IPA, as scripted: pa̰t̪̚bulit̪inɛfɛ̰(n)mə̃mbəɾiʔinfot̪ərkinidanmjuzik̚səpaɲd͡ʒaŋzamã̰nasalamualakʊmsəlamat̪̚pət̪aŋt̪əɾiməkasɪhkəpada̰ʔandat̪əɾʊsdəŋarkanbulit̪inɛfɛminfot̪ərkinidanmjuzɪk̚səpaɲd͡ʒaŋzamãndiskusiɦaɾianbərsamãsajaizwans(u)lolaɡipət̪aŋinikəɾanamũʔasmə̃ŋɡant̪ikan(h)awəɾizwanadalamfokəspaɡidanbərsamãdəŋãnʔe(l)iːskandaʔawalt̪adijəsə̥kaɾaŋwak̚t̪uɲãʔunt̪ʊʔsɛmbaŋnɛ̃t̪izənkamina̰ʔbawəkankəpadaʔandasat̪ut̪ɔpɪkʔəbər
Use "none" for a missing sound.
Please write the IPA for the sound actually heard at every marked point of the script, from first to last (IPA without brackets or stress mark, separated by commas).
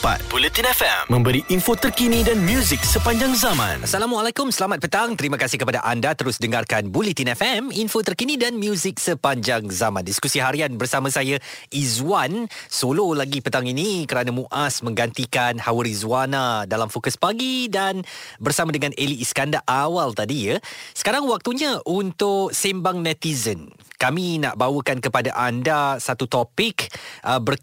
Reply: m, o, h, l